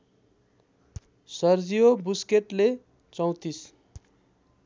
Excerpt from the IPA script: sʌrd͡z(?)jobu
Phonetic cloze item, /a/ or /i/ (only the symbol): i